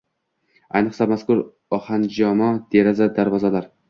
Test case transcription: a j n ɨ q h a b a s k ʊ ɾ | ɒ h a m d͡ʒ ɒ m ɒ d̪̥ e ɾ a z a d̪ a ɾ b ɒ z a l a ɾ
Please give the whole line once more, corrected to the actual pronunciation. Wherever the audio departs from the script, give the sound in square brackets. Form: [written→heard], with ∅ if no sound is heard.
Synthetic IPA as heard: a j n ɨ q [h→s] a [b→m] a s k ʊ ɾ | ɒ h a [m→n] d͡ʒ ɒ m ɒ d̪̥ e ɾ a z a d̪ a ɾ [b→v] ɒ z a l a ɾ